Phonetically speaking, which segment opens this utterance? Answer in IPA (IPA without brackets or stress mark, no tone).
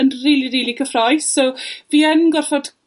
ə